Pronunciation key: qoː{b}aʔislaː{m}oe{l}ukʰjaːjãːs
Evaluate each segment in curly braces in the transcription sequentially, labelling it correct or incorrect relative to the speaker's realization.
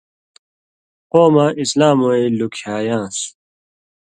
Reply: incorrect: m, correct, correct

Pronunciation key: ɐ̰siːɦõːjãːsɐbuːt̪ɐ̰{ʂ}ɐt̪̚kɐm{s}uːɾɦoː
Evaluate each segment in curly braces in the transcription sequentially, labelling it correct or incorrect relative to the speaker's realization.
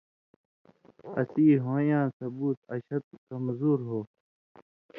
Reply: incorrect: ɕ, incorrect: z

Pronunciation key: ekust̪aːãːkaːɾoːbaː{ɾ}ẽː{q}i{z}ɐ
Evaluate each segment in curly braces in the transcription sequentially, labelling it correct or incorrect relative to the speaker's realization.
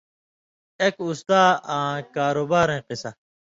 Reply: correct, correct, incorrect: s

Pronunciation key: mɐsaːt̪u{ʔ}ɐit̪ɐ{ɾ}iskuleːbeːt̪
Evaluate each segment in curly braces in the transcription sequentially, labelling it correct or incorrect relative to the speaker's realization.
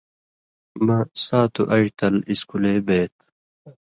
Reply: correct, incorrect: l

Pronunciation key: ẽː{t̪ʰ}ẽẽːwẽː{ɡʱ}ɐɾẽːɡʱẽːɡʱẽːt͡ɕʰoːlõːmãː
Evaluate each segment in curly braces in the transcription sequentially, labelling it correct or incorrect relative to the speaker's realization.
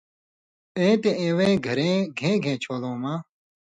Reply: incorrect: t̪, correct

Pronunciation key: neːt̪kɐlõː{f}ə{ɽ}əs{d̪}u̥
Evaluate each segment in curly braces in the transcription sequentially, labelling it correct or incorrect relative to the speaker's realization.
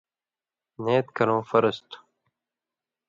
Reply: correct, incorrect: ɾ, incorrect: t̪

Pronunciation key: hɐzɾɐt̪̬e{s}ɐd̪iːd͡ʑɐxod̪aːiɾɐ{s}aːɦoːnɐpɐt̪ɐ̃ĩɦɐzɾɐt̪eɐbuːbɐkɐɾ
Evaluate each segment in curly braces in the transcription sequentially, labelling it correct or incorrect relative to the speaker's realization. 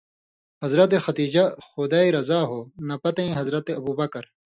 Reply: incorrect: x, incorrect: z

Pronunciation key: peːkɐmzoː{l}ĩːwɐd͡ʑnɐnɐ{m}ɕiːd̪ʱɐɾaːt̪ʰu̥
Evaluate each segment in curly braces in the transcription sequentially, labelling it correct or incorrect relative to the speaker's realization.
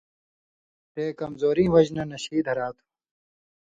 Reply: incorrect: ɾ, incorrect: none

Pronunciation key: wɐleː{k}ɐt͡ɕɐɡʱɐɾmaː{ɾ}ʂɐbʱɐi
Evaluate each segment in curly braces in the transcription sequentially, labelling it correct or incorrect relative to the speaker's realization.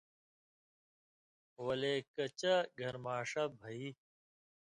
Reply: correct, incorrect: none

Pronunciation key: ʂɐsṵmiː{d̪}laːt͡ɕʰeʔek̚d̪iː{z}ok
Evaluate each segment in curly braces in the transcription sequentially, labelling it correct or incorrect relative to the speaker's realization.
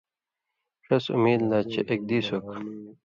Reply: correct, incorrect: s

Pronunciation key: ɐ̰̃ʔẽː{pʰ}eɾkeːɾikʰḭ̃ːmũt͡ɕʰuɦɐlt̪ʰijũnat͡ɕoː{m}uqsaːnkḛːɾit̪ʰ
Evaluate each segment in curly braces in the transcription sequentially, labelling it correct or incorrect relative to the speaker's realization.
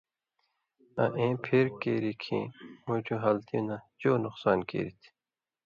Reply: correct, incorrect: n

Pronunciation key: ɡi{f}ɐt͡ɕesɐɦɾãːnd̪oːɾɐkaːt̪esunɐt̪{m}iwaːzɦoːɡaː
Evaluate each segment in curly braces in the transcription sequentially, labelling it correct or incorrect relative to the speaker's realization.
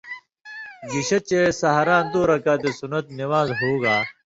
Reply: incorrect: ɕ, incorrect: n

